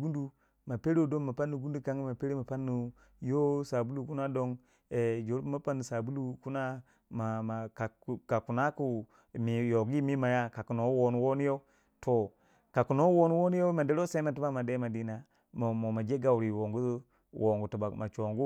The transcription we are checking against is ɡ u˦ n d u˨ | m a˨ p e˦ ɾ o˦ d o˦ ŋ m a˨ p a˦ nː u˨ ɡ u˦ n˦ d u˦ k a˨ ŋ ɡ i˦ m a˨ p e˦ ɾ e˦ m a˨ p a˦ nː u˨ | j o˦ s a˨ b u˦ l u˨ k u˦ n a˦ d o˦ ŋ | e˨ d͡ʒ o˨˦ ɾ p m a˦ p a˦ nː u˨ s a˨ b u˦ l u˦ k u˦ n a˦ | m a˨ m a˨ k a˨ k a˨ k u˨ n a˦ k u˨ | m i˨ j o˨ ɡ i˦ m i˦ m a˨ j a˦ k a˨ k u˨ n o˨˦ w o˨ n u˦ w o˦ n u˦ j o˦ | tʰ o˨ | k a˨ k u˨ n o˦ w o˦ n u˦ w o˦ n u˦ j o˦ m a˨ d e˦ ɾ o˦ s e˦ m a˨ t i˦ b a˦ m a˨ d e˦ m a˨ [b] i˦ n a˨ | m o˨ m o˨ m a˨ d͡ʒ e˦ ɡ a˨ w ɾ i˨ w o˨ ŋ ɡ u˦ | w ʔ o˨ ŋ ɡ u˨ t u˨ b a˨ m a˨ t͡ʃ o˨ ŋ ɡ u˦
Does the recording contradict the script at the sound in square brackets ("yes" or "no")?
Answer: yes